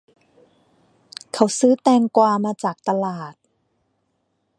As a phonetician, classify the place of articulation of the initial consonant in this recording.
velar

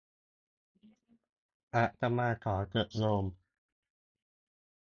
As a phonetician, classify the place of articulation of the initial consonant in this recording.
glottal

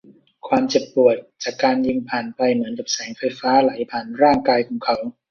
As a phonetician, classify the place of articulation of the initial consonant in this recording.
velar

